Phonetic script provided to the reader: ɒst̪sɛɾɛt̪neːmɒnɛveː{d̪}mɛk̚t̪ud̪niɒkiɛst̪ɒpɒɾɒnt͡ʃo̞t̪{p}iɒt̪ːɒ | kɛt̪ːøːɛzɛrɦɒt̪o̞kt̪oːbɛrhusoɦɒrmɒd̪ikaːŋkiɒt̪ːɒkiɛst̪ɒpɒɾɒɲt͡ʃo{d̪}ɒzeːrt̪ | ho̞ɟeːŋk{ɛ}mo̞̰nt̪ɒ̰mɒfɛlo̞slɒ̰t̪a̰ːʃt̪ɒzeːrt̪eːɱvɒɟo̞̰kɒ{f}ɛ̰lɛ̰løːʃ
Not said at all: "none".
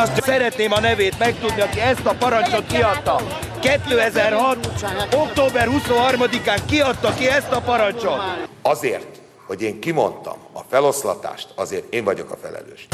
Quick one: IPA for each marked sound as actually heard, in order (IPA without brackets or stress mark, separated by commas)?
t̪, k, t̪, i, f